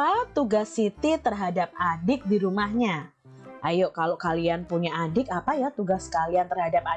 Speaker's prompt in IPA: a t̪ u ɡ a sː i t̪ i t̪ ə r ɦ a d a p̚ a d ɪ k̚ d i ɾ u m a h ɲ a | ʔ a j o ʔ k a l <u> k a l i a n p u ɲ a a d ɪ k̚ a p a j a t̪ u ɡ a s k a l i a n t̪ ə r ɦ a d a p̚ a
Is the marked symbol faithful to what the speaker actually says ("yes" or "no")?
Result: no